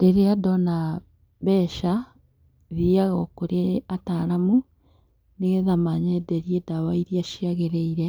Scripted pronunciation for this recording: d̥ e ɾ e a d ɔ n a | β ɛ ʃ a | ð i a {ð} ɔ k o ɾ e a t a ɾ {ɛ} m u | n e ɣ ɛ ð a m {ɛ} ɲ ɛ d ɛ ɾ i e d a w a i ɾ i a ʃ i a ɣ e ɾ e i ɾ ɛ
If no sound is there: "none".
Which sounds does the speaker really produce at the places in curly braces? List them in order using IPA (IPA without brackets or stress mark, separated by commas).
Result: ɣ, a, a